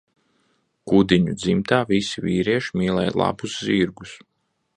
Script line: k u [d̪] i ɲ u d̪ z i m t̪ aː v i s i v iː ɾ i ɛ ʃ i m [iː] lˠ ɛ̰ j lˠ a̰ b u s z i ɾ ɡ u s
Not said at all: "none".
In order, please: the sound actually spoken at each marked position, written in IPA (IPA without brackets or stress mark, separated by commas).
d̪, iː